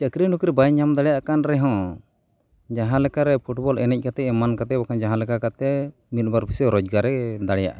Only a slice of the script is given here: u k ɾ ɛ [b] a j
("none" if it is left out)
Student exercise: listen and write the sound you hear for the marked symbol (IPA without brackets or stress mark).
b